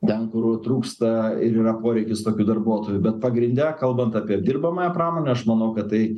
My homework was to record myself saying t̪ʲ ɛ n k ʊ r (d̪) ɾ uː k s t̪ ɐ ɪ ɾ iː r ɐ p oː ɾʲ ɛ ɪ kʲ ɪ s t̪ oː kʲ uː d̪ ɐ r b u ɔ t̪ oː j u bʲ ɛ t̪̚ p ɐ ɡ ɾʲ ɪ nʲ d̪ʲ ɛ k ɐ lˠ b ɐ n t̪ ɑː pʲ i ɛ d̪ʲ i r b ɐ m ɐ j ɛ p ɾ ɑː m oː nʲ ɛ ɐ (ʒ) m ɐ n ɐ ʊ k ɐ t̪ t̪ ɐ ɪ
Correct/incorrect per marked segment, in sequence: incorrect: t̪, incorrect: ʃ

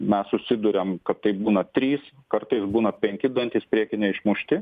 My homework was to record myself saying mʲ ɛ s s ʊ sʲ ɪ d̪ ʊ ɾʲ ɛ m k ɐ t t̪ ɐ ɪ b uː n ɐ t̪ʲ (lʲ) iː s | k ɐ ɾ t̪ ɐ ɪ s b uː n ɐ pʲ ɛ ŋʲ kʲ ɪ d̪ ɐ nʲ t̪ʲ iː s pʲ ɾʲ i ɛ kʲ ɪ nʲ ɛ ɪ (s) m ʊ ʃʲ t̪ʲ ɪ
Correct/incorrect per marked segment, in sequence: incorrect: ɾʲ, incorrect: ʃ

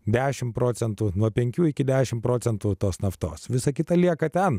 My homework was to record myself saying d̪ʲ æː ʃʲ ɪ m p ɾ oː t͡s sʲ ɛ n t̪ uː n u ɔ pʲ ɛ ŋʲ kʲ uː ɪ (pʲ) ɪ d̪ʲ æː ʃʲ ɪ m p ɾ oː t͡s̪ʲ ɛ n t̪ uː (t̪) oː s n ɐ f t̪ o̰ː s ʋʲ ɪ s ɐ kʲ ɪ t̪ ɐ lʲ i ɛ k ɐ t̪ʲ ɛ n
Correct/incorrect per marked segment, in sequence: incorrect: kʲ, correct

